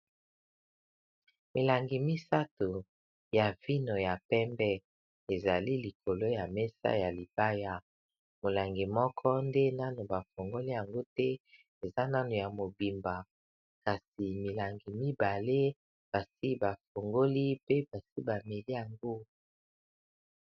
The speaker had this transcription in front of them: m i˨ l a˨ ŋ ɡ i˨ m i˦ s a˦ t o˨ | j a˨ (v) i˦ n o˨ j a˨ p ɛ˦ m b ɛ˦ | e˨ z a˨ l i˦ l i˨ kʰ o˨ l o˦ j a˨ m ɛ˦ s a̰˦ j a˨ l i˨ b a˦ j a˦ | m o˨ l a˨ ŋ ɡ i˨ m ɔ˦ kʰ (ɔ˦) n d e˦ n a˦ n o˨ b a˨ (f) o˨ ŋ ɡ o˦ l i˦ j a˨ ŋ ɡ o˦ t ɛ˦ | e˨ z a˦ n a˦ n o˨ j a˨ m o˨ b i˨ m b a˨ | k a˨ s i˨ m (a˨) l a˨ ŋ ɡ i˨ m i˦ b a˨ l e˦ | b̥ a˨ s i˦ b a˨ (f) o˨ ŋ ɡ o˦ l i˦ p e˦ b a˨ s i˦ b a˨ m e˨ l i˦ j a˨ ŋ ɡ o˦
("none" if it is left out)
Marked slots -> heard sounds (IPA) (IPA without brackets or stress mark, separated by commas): v, ɔ˦, f, i˨, f